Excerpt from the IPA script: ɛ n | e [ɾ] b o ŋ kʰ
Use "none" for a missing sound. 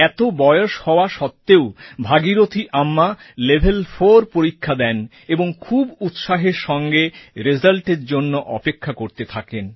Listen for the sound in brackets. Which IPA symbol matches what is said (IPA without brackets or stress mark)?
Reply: none